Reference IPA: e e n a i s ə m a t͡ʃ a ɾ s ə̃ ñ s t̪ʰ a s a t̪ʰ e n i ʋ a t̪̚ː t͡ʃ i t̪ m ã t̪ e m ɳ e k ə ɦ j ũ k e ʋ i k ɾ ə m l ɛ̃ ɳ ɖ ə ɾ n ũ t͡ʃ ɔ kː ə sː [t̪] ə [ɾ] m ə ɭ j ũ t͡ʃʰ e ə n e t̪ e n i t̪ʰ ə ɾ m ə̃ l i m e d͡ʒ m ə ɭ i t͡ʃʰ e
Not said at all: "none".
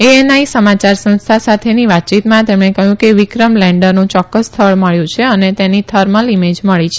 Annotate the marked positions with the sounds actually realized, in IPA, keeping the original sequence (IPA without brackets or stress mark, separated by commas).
t̪ʰ, ɭ